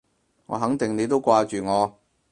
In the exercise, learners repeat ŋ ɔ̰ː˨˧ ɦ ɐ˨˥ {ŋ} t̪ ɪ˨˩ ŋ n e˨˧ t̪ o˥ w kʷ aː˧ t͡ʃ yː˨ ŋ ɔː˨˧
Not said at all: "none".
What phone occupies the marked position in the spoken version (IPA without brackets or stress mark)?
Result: ŋ